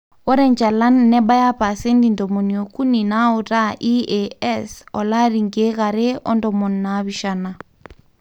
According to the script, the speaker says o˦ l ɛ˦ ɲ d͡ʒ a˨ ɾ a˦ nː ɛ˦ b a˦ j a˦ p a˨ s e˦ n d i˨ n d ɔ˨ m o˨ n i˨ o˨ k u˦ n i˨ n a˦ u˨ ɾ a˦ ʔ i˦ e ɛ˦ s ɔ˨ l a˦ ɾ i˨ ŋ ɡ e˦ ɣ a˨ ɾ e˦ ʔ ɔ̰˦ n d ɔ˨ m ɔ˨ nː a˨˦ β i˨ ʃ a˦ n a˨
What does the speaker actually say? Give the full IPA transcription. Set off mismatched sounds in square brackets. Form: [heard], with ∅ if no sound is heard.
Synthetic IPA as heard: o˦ [ɾ] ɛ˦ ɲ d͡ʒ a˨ [l] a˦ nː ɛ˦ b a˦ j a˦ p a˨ s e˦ n d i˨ n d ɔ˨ m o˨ n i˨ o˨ k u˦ n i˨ n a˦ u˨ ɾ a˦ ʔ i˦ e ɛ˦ s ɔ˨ l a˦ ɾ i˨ ŋ ɡ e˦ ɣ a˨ ɾ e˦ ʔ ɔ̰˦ n d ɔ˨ m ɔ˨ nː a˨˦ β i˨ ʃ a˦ n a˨